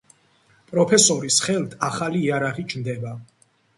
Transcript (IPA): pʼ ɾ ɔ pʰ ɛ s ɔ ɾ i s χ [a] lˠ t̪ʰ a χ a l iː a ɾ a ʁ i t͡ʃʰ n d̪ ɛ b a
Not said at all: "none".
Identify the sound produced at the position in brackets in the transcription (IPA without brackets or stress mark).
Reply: ɛ